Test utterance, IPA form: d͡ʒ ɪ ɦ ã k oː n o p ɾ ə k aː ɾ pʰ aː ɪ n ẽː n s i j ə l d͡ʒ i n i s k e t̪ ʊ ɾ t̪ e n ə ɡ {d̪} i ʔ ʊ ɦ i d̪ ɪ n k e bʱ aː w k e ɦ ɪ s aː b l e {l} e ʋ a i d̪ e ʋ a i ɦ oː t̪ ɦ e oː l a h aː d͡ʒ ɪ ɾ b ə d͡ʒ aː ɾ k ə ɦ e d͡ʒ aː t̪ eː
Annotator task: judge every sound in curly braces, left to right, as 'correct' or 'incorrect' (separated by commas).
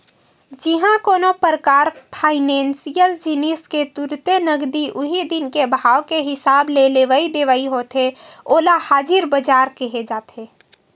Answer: correct, correct